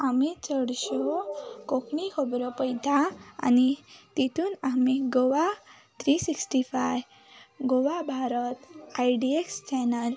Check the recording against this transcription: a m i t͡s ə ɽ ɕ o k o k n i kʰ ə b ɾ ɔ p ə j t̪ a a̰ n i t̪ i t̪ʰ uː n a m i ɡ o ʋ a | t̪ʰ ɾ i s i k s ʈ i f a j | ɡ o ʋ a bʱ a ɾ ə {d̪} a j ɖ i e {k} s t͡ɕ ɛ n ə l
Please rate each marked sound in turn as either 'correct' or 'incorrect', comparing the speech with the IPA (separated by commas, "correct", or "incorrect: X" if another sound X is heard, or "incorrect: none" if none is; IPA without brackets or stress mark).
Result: incorrect: t̪, correct